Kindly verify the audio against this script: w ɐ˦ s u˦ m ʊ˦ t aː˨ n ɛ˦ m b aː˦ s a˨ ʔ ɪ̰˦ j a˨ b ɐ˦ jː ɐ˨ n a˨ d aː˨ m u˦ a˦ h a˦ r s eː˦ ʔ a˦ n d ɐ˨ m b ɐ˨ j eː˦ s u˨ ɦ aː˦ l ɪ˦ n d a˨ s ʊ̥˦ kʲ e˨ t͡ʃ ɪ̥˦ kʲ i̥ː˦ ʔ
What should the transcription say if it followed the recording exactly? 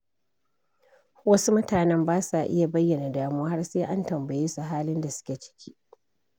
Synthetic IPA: w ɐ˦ s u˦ m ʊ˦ t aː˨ n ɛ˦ m b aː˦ s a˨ ʔ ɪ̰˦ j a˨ b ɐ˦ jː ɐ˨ n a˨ d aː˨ m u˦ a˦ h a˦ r s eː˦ ʔ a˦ n t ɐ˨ m b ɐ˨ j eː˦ s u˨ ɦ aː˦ l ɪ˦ n d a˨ s ʊ̥˦ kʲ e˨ t͡ʃ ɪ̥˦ kʲ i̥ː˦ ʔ